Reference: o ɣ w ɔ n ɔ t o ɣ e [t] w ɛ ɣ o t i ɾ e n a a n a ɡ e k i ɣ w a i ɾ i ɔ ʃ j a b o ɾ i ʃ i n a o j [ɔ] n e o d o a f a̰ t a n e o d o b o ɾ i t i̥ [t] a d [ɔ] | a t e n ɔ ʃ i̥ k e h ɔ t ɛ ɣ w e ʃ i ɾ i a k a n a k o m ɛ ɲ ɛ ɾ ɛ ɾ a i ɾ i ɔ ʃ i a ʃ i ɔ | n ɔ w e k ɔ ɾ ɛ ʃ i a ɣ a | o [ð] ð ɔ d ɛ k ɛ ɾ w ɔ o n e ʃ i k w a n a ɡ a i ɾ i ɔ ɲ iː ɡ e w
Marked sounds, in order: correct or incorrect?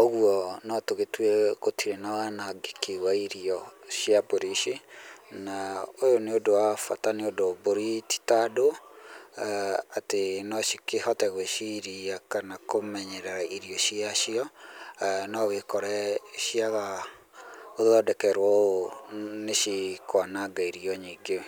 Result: correct, incorrect: o, correct, incorrect: o, correct

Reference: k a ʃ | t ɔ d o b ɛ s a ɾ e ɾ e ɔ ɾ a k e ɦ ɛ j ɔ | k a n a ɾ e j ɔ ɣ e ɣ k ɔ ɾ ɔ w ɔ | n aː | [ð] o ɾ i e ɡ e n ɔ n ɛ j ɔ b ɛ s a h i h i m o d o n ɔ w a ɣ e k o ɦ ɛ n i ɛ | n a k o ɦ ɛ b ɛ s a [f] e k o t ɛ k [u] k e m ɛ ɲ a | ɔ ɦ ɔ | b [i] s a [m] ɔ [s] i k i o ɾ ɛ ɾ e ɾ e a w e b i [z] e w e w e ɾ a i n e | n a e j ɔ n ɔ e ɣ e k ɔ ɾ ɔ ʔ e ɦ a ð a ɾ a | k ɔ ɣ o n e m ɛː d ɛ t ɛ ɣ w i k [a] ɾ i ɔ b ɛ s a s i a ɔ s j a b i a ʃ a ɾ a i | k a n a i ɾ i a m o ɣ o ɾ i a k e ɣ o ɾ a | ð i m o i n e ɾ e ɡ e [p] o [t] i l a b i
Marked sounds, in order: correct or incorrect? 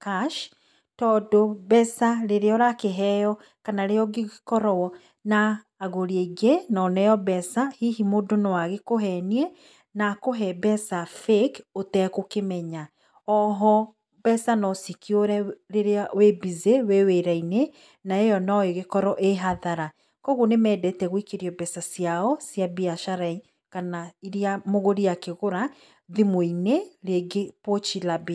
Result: incorrect: ɣ, correct, incorrect: o, incorrect: ɛ, incorrect: n, correct, correct, incorrect: e, correct, incorrect: t͡ʃ

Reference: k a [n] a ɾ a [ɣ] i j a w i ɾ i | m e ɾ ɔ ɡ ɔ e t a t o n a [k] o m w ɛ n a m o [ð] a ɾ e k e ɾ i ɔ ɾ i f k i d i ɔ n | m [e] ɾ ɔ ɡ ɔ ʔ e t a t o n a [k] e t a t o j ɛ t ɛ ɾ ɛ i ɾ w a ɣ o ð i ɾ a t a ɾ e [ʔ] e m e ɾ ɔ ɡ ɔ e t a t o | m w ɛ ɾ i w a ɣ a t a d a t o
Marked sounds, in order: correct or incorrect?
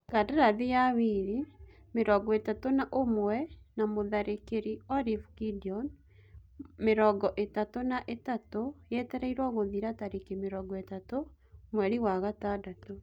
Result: incorrect: d, incorrect: ð, incorrect: ʔ, correct, correct, incorrect: ʔ, incorrect: k

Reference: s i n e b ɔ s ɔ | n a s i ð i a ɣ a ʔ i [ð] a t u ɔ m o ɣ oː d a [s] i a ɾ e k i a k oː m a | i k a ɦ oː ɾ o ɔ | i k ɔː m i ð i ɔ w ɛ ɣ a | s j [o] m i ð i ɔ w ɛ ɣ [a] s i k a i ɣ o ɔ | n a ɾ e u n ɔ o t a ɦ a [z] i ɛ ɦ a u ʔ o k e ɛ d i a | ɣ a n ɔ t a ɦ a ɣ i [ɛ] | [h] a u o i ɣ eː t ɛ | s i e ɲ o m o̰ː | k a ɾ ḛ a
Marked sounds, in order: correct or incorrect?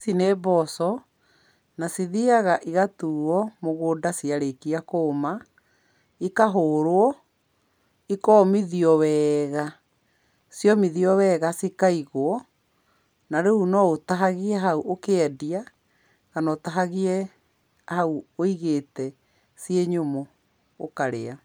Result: incorrect: ɣ, correct, incorrect: ɔ, correct, incorrect: ɣ, correct, correct

